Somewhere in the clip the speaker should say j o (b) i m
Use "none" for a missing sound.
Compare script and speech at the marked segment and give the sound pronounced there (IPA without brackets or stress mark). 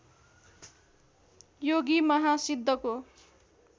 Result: ɡ